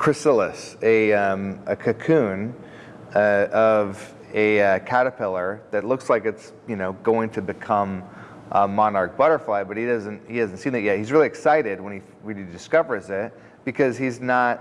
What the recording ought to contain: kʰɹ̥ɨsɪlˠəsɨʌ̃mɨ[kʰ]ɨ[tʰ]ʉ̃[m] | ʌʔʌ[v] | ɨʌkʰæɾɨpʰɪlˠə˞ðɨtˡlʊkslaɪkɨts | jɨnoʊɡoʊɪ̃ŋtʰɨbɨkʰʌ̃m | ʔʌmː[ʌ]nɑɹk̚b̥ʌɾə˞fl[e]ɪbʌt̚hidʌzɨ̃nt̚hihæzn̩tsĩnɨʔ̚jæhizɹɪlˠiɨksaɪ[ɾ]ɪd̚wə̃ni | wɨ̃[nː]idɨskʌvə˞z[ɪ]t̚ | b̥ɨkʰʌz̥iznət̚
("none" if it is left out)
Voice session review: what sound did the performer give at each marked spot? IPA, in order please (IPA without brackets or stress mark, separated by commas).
kʰ, kʰ, n, v, ɑ, a, ɾ, n, ɪ